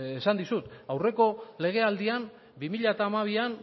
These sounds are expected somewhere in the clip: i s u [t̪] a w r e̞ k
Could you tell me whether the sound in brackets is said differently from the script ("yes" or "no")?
no